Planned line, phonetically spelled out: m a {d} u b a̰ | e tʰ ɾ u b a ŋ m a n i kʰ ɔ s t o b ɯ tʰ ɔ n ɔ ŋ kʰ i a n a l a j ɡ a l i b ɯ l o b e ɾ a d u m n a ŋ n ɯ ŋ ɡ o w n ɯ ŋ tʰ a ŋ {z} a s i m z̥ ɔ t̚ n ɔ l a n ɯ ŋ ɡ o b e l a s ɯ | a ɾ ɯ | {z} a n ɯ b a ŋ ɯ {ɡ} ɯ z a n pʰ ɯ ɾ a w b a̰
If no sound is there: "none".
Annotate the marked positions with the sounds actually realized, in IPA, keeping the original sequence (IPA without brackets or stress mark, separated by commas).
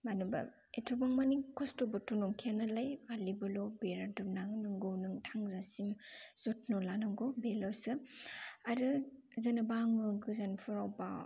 n, z, z, ɡ